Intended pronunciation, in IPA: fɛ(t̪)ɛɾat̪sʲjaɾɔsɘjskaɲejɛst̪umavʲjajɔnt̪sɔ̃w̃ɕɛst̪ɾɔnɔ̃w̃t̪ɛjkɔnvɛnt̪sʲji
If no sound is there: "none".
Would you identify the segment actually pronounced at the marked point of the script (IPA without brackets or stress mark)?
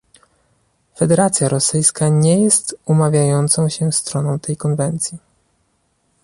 d̪